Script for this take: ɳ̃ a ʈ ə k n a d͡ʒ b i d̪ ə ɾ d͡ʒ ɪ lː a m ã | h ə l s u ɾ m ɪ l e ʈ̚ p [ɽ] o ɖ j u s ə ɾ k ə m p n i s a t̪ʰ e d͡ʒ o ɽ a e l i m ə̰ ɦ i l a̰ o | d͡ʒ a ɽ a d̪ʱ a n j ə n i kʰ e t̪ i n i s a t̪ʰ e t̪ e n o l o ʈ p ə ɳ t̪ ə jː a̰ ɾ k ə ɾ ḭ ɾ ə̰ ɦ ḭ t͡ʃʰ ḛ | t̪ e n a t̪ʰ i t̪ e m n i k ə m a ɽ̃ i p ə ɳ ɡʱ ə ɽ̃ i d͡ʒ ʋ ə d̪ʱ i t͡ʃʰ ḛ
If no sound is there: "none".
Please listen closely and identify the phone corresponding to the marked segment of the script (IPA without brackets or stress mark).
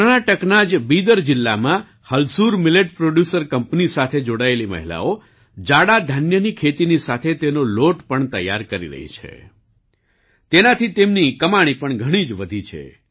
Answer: ɾ